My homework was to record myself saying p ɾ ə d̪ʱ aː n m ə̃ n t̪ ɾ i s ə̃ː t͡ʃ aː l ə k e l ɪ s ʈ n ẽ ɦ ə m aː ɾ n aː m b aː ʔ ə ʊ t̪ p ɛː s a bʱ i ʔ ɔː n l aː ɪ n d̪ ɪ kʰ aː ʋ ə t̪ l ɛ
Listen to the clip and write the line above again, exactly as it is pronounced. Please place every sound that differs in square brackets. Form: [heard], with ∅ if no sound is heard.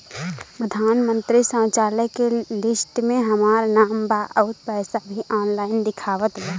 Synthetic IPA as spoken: p ɾ ə d̪ʱ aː n m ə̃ n t̪ ɾ i s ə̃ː t͡ʃ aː l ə k e l ɪ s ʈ [m] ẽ ɦ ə m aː ɾ n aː m b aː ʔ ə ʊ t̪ p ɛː s a bʱ i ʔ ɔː n l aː ɪ n d̪ ɪ kʰ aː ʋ ə t̪ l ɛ